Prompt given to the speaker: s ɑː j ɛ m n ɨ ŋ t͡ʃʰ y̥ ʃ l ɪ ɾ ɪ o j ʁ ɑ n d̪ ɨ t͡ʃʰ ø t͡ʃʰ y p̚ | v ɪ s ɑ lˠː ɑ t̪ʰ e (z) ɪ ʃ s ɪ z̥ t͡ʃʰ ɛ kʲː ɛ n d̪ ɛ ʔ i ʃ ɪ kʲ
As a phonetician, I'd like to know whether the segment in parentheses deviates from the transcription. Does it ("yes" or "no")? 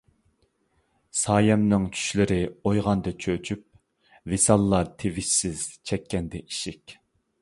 yes